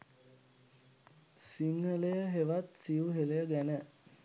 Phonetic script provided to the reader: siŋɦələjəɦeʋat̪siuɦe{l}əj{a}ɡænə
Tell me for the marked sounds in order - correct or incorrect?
correct, incorrect: ə

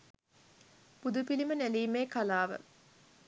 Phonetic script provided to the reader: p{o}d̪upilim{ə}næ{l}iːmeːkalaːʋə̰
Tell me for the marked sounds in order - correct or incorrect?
incorrect: u, correct, correct

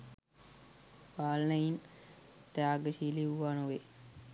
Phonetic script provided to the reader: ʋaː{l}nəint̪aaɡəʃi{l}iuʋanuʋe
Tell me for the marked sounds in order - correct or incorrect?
correct, correct

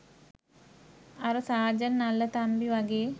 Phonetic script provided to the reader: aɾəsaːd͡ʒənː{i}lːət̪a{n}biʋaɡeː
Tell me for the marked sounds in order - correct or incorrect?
incorrect: a, incorrect: m

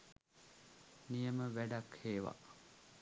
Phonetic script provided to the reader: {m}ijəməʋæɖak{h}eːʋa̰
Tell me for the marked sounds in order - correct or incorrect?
incorrect: n, correct

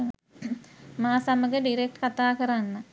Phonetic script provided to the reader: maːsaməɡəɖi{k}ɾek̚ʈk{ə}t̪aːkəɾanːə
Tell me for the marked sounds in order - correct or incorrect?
incorrect: none, incorrect: a

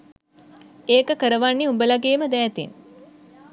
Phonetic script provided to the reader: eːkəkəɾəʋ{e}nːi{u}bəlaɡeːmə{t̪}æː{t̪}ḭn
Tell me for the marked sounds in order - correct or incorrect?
incorrect: a, correct, incorrect: d̪, correct

